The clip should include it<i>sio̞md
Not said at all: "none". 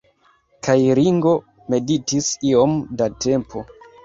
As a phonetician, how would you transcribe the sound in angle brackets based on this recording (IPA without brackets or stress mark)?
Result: i